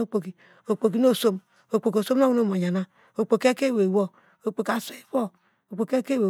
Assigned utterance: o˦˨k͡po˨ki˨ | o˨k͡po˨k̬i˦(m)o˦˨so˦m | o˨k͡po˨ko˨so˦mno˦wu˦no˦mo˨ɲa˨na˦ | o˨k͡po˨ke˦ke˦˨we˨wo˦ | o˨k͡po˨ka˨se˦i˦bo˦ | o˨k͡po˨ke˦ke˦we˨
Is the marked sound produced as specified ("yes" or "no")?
no